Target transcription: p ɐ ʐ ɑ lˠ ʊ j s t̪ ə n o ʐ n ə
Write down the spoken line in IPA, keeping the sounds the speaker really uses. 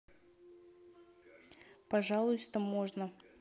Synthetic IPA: p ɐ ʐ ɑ lˠ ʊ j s t̪ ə m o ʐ n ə